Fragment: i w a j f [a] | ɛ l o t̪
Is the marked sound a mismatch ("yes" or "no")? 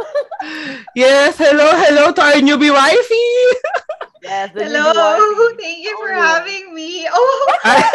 yes